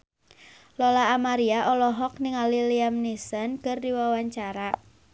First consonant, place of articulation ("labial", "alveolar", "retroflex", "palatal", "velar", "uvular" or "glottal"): alveolar